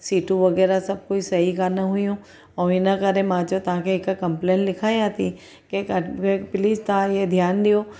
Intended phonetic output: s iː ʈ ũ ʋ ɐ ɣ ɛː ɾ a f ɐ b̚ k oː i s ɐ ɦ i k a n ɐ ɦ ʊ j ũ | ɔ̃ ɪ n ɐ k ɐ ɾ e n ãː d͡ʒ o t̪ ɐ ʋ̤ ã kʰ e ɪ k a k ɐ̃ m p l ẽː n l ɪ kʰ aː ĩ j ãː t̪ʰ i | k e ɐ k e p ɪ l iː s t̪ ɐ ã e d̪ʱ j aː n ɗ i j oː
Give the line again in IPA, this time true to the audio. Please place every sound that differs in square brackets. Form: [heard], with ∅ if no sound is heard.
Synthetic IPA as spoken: s iː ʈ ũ ʋ ɐ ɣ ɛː ɾ a [s] ɐ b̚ k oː i s ɐ ɦ i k a n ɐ ɦ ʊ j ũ | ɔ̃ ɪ n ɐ k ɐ ɾ e [m] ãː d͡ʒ o t̪ ɐ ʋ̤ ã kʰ e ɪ k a k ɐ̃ m p l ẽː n l ɪ kʰ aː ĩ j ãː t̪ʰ i | k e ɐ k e p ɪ l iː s t̪ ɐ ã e d̪ʱ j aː n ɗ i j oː